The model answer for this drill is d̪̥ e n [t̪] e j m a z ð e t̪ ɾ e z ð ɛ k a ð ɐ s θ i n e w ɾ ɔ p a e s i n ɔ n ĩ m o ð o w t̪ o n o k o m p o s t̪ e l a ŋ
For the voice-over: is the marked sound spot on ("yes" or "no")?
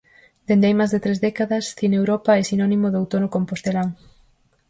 no